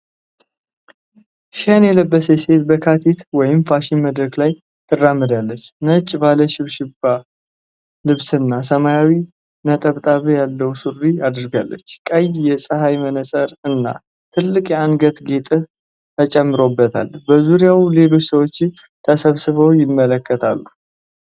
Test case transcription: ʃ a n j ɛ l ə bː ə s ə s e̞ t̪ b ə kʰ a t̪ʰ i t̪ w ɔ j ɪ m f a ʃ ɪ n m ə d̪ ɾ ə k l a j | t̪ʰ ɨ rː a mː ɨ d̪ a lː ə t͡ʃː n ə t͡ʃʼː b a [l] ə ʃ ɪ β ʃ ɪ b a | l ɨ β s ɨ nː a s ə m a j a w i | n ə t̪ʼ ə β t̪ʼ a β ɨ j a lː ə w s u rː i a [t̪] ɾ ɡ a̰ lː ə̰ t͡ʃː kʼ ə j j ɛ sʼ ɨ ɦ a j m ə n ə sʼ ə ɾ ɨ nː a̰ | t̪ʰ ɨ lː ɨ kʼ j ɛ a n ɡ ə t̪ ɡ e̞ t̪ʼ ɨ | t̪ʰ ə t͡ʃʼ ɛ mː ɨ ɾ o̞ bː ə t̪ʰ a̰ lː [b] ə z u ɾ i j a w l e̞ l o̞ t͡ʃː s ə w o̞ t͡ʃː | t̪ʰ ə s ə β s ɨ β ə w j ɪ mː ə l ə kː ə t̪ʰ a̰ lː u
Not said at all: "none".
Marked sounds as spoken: l, d̪, b

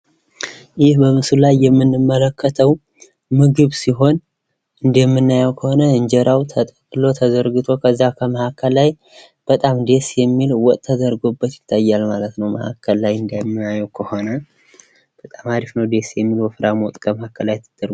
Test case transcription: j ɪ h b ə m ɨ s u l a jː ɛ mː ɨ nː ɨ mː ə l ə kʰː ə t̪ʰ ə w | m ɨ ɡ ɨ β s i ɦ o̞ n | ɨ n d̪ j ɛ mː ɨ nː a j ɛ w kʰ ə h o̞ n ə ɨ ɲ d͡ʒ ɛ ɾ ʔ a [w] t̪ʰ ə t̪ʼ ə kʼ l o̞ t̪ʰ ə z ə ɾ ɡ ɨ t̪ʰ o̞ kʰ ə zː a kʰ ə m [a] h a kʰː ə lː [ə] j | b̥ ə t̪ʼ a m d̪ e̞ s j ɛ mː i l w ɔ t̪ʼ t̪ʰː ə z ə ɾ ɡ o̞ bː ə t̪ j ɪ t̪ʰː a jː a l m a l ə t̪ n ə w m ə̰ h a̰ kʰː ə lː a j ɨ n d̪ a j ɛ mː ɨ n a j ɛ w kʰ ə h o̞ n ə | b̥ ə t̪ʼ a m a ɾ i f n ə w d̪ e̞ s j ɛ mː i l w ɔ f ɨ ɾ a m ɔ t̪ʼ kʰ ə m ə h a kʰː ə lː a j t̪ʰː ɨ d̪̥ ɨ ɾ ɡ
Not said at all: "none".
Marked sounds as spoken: w, ə, a

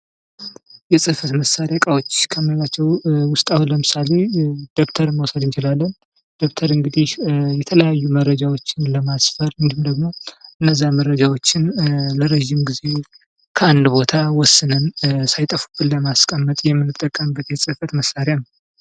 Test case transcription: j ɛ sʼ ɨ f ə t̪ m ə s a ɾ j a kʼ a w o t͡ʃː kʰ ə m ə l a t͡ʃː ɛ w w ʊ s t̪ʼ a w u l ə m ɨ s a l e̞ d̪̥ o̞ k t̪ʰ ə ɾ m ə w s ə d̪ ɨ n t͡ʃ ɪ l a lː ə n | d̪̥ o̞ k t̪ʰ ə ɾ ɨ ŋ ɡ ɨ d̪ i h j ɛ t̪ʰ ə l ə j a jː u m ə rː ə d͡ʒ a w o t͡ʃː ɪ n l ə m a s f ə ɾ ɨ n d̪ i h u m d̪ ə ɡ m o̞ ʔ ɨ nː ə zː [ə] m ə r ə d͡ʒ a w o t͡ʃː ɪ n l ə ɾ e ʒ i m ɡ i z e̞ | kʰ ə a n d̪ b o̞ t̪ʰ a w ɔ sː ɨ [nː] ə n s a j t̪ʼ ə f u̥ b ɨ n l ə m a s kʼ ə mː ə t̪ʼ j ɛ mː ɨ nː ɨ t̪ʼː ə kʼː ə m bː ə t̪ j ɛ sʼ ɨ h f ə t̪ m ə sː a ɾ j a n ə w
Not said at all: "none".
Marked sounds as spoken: a, n

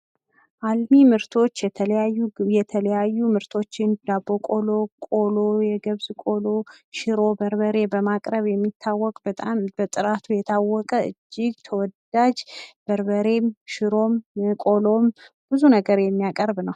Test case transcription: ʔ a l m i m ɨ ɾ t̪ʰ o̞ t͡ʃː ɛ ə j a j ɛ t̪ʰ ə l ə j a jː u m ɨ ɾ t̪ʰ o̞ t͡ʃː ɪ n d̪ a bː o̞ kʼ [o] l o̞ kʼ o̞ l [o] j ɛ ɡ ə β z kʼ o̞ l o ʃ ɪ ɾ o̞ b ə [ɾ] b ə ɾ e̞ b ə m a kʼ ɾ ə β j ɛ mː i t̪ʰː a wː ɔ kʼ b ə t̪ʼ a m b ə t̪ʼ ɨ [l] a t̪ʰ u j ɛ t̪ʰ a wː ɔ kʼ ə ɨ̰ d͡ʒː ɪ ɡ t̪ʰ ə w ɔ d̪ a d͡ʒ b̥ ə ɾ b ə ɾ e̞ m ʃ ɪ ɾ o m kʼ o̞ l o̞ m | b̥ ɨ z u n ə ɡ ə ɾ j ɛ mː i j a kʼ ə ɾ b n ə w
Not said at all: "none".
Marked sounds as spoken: o, o, ɾ, ɾ

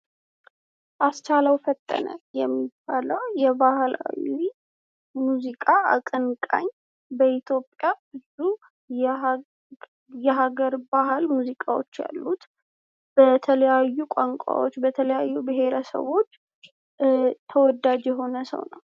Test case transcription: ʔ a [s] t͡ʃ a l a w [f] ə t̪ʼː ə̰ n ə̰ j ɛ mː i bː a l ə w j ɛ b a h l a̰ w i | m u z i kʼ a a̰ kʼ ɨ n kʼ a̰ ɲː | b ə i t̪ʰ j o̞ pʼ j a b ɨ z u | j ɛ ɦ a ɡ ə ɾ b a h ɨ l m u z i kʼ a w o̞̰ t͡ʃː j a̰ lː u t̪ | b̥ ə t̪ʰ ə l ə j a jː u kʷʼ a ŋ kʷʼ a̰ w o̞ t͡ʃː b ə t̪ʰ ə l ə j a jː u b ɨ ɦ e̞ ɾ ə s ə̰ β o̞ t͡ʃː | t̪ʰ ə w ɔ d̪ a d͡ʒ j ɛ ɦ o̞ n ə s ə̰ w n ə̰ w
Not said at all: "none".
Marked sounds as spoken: s, f

